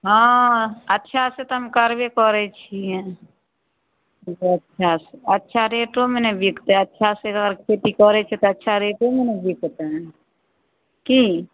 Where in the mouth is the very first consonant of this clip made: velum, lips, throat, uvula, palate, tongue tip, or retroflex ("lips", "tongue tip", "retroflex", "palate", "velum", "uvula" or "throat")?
throat